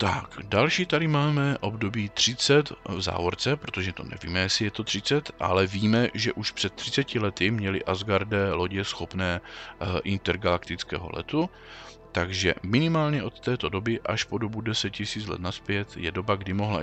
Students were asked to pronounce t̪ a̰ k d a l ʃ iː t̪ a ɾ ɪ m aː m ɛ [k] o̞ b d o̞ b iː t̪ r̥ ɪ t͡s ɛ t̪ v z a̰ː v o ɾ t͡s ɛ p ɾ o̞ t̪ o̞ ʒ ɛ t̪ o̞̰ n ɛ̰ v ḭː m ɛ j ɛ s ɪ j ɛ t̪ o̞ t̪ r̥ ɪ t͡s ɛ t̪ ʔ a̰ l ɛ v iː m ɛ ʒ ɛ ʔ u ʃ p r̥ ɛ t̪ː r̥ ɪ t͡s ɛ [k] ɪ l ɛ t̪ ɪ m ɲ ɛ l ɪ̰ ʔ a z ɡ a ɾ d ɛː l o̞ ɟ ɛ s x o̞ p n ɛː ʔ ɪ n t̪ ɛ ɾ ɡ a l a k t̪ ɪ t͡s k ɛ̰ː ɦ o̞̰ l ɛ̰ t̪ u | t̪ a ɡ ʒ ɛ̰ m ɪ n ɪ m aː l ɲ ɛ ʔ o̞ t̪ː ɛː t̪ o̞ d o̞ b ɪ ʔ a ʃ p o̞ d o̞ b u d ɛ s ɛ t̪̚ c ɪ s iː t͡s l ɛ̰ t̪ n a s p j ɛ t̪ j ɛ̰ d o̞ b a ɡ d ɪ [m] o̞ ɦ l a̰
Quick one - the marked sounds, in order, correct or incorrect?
incorrect, incorrect, correct

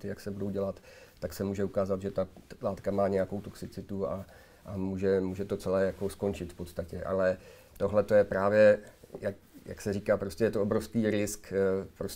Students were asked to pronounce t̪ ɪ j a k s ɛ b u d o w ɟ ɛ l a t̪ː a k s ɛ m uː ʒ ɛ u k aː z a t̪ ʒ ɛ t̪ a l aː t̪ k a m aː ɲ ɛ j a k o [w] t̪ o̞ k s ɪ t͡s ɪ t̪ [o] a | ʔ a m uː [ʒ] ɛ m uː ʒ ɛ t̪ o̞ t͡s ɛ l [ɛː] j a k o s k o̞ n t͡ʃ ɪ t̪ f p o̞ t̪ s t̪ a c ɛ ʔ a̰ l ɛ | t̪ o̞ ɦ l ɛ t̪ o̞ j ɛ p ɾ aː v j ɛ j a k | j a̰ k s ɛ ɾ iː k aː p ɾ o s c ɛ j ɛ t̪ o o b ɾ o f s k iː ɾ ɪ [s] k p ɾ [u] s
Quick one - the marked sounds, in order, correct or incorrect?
correct, incorrect, correct, correct, correct, incorrect

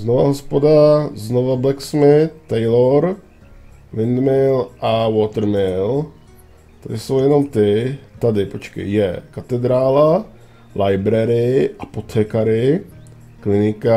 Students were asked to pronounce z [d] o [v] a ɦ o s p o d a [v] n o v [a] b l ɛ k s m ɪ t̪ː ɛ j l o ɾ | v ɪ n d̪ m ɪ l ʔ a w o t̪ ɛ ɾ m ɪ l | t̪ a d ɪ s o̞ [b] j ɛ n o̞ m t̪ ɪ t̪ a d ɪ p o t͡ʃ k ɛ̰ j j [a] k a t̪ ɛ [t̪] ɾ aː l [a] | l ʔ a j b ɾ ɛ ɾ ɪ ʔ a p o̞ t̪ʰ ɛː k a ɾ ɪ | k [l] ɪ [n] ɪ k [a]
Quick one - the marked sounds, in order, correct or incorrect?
incorrect, correct, incorrect, correct, incorrect, incorrect, incorrect, correct, correct, correct, correct

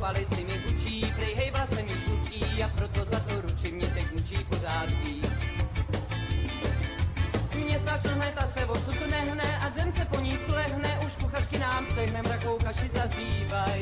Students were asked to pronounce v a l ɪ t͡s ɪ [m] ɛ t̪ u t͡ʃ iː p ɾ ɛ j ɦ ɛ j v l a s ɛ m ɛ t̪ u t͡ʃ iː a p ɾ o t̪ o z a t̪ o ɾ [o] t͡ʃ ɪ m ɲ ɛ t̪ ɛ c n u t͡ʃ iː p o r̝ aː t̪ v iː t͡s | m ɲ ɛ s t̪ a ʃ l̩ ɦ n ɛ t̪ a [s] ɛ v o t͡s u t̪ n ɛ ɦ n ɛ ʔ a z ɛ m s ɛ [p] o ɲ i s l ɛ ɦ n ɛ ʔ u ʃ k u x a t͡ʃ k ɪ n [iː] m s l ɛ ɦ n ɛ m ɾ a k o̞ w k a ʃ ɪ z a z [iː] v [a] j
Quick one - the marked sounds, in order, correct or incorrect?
correct, incorrect, correct, correct, incorrect, correct, correct

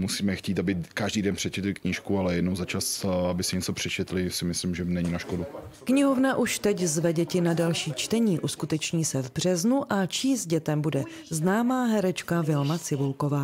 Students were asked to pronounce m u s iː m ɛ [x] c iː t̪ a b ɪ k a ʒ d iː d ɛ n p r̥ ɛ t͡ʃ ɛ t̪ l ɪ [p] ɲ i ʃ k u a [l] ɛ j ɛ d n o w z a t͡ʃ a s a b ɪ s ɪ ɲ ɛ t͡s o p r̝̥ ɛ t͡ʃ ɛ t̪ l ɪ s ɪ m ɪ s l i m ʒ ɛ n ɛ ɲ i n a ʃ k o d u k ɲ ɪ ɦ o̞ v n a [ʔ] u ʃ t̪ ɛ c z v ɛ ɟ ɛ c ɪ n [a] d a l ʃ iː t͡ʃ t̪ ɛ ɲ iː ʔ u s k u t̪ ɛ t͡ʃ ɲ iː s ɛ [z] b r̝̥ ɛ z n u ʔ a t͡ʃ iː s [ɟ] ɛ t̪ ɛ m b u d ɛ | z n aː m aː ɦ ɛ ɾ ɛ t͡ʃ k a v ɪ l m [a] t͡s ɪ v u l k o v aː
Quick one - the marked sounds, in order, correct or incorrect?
correct, incorrect, correct, correct, correct, incorrect, correct, correct

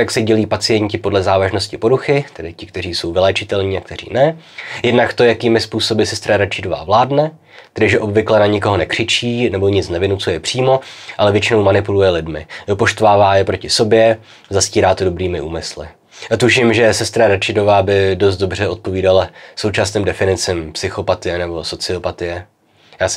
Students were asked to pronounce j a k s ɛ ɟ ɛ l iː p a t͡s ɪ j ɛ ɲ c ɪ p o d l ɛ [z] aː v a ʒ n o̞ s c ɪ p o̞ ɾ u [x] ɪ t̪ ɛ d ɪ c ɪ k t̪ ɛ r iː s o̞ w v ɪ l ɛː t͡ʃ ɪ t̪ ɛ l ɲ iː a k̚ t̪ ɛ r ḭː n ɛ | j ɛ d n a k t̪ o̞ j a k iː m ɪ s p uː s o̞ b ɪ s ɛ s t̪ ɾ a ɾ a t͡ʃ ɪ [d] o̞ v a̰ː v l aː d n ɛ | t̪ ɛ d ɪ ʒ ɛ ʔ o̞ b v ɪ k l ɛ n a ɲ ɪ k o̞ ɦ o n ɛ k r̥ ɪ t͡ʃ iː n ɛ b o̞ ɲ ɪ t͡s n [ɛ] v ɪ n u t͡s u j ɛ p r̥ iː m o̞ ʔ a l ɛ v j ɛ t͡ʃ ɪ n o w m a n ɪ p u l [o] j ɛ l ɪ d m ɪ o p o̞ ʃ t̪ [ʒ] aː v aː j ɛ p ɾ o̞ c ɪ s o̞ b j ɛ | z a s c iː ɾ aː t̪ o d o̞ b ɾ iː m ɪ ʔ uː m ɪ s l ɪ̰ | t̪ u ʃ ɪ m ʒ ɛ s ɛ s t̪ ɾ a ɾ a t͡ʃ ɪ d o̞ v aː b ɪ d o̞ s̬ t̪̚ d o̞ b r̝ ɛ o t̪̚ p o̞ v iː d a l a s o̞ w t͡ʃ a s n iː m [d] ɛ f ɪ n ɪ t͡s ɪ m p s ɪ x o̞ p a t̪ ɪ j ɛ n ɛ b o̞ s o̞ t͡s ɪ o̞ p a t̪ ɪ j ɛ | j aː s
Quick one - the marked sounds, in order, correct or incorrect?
correct, correct, correct, correct, incorrect, incorrect, correct

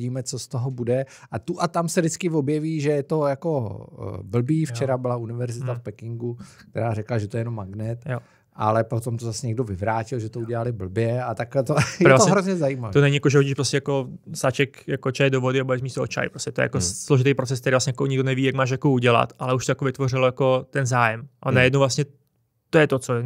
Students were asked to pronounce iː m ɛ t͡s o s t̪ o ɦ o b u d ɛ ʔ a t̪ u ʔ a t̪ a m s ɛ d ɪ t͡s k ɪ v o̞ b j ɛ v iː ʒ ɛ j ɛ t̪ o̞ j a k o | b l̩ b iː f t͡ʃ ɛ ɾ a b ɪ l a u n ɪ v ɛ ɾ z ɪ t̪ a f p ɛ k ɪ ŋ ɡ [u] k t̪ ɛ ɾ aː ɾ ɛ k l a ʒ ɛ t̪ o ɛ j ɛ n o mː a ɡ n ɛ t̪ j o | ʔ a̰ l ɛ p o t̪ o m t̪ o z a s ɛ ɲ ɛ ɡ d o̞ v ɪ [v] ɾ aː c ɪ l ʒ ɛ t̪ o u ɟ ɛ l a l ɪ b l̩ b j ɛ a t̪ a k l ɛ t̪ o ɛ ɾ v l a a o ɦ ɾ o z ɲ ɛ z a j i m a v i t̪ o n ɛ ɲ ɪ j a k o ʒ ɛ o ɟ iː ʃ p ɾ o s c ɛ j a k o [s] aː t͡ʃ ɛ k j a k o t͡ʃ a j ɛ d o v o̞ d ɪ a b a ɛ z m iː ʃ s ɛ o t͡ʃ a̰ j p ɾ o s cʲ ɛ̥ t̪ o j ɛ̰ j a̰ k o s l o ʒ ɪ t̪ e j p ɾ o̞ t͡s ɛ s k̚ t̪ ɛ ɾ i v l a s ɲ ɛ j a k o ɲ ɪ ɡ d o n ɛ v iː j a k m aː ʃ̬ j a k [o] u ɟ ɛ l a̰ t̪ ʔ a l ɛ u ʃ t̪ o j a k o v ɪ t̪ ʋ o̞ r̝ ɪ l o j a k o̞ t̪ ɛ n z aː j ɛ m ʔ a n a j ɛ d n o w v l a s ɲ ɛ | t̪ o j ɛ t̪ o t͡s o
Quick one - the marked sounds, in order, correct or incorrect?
correct, correct, correct, correct

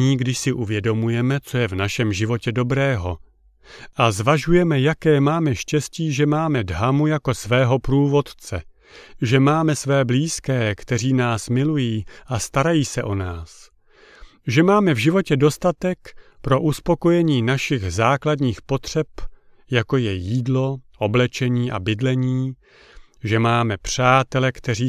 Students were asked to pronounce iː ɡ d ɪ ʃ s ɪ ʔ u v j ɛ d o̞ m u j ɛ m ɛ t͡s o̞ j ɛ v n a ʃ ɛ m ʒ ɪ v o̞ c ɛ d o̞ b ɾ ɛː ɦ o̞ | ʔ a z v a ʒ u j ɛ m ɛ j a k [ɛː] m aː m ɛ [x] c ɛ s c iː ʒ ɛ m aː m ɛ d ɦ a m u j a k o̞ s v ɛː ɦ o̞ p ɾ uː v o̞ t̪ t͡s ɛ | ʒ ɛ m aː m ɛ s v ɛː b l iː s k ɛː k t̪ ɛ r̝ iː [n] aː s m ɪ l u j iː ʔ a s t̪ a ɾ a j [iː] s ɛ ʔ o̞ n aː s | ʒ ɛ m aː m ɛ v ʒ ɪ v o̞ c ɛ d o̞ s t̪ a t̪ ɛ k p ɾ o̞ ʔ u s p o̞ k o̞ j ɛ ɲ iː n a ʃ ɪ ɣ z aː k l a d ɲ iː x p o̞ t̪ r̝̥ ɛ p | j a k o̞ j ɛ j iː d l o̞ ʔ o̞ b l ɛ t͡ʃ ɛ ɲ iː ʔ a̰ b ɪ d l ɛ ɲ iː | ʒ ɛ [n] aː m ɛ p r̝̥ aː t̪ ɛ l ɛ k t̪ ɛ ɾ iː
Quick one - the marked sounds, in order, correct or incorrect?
correct, incorrect, correct, correct, incorrect

